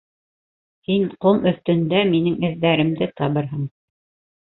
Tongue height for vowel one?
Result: high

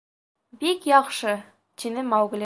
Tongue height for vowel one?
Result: high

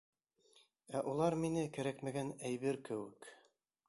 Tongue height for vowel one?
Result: low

